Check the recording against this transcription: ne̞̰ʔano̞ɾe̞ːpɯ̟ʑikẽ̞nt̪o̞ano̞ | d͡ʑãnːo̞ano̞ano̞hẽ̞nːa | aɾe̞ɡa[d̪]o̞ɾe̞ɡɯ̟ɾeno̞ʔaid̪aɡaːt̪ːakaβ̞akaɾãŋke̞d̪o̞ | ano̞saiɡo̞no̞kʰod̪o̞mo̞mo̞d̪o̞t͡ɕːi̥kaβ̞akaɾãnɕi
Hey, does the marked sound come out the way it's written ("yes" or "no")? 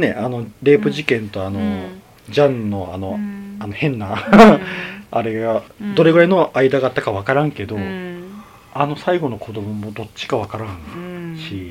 yes